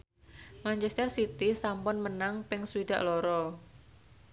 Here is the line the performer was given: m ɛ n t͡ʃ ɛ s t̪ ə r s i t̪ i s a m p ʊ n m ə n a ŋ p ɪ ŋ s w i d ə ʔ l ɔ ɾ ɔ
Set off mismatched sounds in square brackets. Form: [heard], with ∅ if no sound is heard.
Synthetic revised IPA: m [a] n t͡ʃ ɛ s t̪ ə r s i t̪ i s a m p ʊ n m ə n a ŋ p ɪ ŋ s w i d [a] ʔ l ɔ ɾ ɔ

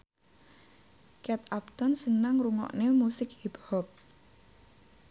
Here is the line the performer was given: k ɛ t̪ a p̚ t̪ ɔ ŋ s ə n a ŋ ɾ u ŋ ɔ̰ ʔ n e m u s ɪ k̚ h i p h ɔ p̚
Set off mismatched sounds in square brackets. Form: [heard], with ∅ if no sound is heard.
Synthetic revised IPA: k ɛ t̪ a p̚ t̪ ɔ [n] s ə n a ŋ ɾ u ŋ ɔ̰ ʔ n e m u s ɪ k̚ h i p h ɔ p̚

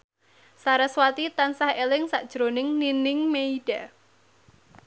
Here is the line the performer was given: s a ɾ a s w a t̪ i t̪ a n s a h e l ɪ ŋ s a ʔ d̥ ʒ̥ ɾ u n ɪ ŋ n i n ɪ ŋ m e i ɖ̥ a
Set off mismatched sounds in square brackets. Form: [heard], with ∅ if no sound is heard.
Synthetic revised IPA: s a ɾ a s w a t̪ i t̪ a n s a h e l ɪ ŋ s a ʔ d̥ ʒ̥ ɾ [o] n ɪ ŋ n i n ɪ ŋ m e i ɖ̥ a

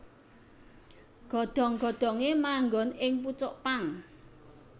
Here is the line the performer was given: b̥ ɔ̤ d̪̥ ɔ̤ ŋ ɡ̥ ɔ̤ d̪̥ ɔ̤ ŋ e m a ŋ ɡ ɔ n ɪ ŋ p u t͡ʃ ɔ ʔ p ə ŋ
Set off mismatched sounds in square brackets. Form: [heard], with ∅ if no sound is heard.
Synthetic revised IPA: [ɡ̥] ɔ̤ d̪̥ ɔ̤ ŋ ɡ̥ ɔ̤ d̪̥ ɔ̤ ŋ e m a ŋ ɡ ɔ n ɪ ŋ p u t͡ʃ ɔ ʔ p [a] ŋ

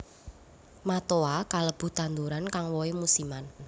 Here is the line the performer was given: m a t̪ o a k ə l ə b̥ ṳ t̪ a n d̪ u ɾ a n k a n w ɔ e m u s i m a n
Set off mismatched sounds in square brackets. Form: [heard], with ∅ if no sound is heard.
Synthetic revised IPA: m a t̪ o a k [a] l ə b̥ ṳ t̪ a n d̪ u ɾ a n k a [ŋ] w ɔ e m u s i m a n

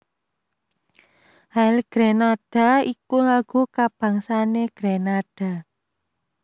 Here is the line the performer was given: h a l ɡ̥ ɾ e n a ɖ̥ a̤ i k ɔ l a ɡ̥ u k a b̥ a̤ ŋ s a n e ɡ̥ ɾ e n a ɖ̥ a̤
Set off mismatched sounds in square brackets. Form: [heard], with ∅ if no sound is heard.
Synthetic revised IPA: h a l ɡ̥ ɾ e n a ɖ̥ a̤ i k [u] l a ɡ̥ u k a b̥ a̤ ŋ s a n e ɡ̥ ɾ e n a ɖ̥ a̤

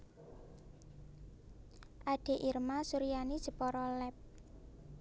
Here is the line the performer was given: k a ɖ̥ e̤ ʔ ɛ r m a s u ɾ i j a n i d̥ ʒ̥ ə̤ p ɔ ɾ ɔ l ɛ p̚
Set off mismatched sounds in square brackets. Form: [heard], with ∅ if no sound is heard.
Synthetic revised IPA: [ʔ] a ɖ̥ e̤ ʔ [i] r m a s u ɾ i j a n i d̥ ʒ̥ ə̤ p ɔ ɾ ɔ l ɛ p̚

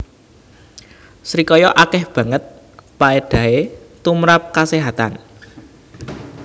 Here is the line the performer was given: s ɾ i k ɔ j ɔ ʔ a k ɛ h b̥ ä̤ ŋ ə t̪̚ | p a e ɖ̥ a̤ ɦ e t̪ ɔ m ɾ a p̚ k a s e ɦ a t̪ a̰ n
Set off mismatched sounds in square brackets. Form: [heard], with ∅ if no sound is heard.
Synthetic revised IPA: s ɾ i k ɔ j ɔ ʔ a k ɛ h b̥ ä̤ ŋ ə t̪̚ | p a e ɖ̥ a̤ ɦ e t̪ [u] m ɾ a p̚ k a s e ɦ a t̪ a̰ n

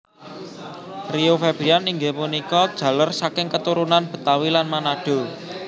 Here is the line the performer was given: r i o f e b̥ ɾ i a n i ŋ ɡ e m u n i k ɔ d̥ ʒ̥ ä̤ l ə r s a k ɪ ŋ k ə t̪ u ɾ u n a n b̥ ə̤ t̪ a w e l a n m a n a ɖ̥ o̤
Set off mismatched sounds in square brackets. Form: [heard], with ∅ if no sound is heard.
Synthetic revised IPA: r i o f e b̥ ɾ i a n i ŋ ɡ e m u n i k ɔ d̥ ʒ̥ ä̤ l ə r s a k ɪ ŋ k ə t̪ u ɾ u n a n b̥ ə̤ t̪ a w [i] l a n m a n a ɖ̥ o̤

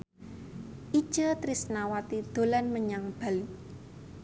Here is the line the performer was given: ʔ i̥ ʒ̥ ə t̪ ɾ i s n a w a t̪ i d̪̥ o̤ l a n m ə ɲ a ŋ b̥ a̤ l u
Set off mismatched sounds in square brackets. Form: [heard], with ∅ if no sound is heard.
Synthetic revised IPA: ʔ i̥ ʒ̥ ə t̪ ɾ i s n a w a t̪ i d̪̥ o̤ l a n m ə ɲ a ŋ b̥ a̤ l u

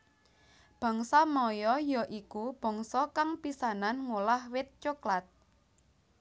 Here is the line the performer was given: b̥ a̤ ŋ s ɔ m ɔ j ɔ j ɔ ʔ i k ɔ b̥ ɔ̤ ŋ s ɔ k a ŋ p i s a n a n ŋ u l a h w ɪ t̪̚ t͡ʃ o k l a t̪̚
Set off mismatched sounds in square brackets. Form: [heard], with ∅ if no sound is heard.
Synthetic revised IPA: b̥ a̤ ŋ s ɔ m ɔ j ɔ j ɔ ʔ i k [u] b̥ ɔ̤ ŋ s ɔ k a ŋ p i s a n a n ŋ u l a h w ɪ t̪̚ t͡ʃ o k l a t̪̚

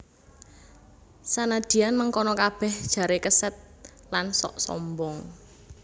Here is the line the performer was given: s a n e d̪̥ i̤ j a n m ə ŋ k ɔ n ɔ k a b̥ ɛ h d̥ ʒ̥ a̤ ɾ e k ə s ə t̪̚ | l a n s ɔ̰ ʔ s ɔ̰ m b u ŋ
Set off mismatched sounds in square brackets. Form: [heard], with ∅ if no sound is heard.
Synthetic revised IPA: s a n [a] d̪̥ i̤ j a n m ə ŋ k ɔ n ɔ k a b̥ ɛ h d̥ ʒ̥ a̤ ɾ e k ə s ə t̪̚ | l a n s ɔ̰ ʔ s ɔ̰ m b [ɔ] ŋ

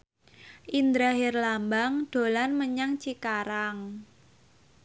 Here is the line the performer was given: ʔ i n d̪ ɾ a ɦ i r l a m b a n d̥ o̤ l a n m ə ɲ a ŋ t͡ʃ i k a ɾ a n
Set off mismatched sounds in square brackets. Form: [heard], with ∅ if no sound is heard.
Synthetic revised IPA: ʔ i n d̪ ɾ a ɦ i r l a m b a [ŋ] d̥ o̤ l a n m ə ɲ a ŋ t͡ʃ i k a ɾ a [ŋ]

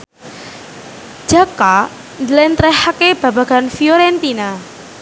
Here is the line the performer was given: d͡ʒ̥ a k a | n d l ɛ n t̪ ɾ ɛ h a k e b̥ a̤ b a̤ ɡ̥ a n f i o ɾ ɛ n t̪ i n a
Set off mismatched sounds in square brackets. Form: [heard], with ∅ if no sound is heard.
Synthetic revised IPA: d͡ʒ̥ a k a | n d l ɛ n t̪ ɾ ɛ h a k e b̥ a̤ b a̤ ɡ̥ a n f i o ɾ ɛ n t̪ i n a

